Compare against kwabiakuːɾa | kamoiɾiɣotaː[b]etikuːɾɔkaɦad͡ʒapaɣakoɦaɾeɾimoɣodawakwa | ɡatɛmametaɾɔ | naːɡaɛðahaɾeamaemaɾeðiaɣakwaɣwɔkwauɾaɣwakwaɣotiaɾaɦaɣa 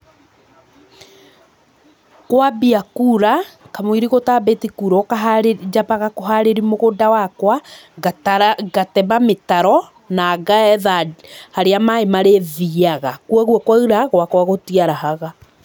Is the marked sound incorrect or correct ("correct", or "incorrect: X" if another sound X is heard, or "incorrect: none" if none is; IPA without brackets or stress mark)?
correct